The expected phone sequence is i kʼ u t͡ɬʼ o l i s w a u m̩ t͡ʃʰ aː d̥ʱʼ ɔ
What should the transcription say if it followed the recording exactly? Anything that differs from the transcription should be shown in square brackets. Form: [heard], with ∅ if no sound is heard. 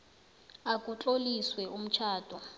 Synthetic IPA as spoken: [a] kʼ u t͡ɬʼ o l i s w [ɛ] u m̩ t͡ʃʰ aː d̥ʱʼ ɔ